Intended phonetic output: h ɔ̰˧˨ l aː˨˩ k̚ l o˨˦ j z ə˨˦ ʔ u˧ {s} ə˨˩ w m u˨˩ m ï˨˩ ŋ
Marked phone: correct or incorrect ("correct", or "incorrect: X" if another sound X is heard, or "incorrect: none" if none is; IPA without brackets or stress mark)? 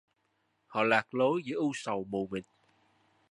correct